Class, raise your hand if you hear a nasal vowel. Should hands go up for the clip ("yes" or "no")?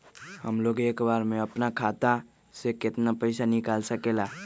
no